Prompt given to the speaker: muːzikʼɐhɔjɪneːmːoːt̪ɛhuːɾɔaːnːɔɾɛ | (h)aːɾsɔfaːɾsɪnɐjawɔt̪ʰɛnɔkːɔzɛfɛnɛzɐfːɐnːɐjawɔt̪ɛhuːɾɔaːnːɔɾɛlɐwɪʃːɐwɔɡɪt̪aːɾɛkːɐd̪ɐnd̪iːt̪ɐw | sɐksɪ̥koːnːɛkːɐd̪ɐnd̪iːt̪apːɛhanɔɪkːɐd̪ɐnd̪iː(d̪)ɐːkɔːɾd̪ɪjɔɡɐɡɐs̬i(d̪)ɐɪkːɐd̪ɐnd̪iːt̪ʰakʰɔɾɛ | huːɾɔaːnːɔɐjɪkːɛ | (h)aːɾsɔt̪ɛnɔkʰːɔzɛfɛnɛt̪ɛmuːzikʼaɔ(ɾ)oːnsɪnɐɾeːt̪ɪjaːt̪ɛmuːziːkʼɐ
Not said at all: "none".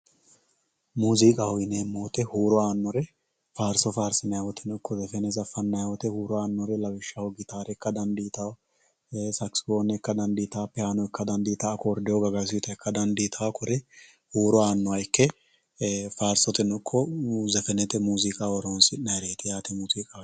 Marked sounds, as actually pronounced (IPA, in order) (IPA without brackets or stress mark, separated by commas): f, t̪, t̪, f, ɾ